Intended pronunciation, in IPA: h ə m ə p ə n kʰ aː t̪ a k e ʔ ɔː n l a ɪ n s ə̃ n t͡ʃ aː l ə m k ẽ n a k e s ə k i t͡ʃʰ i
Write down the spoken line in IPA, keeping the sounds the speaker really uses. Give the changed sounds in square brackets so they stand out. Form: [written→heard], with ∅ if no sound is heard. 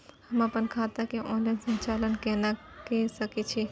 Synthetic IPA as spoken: h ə m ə p ə n kʰ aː t̪ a k e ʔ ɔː n l a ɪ n s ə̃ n t͡ʃ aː l ə [m→n] k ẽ n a k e s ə k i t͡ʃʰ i